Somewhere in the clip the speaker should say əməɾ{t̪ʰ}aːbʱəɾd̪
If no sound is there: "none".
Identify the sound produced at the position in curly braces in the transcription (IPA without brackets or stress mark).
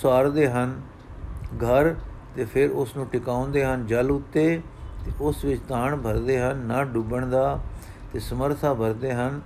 t̪ʰ